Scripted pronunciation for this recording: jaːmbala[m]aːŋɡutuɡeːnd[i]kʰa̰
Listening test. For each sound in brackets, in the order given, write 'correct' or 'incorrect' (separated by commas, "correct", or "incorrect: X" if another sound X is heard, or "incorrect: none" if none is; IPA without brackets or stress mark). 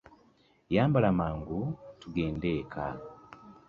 correct, incorrect: e